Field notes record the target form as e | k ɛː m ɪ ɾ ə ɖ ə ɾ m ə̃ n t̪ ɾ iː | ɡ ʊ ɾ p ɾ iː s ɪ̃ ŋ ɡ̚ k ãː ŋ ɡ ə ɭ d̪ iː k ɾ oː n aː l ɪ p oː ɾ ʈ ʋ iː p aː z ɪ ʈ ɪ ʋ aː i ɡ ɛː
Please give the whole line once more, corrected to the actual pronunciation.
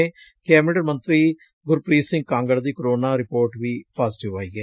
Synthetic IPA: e | k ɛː m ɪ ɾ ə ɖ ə ɾ m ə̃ n t̪ ɾ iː | ɡ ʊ ɾ p ɾ iː s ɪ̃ ŋ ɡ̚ k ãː ŋ ɡ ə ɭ d̪ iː k ɾ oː n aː ɾ ɪ p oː ɾ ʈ ʋ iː p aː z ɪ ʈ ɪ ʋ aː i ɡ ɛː

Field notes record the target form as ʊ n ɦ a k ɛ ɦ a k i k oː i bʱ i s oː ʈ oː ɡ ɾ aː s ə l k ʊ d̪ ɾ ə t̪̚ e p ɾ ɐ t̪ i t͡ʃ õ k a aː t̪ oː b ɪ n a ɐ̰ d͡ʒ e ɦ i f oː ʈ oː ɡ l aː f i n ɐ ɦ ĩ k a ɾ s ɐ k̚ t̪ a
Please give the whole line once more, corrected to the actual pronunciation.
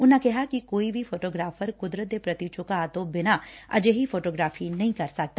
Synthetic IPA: ʊ n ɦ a k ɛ ɦ a k i k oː i bʱ i f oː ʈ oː ɡ ɾ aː f ə ɾ k ʊ d̪ ɾ ə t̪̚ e p ɾ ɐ t̪ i t͡ʃ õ k a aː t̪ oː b ɪ n a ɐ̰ d͡ʒ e ɦ i f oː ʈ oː ɡ ɾ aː f i n ɐ ɦ ĩ k ɐ ɾ s ɐ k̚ t̪ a

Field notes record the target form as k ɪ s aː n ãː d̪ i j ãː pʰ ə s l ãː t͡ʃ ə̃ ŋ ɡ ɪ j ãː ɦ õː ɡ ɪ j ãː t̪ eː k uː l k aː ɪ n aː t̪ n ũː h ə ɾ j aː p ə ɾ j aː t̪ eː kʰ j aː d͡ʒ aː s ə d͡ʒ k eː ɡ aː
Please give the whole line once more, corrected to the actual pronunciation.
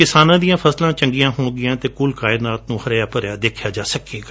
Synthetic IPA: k ɪ s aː n ãː d̪ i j ãː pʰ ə s l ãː t͡ʃ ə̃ ŋ ɡ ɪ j ãː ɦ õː ɡ ɪ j ãː t̪ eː k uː l k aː ɪ n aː t̪ n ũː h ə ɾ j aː p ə ɾ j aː d̪ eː kʰ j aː d͡ʒ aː s ə k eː ɡ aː

